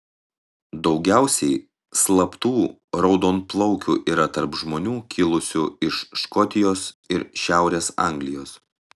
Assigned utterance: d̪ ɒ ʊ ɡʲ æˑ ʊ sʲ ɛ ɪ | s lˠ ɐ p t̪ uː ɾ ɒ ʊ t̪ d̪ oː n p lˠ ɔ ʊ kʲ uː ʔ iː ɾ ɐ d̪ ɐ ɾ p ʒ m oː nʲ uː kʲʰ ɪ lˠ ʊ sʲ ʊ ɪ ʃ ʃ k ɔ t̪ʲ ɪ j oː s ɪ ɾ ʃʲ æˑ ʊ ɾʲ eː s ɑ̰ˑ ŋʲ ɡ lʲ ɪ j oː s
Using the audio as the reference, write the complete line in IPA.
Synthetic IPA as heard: d̪ ɒ ʊ ɡʲ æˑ ʊ sʲ ɛ ɪ | s lˠ ɐ p t̪ uː ɾ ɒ ʊ d̪ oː n p lˠ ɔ ʊ kʲ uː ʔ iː ɾ ɐ t̪ ɐ ɾ p ʒ m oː nʲ uː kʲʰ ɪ lˠ ʊ sʲ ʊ ɪ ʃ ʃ k ɔ t̪ʲ ɪ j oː s ɪ ɾ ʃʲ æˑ ʊ ɾʲ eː s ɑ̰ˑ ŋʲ ɡ lʲ ɪ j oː s